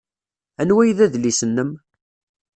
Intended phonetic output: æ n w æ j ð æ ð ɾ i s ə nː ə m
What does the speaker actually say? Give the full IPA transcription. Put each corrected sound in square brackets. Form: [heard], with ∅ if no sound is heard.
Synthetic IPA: æ n w æ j ð æ ð [l] i s ə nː ə m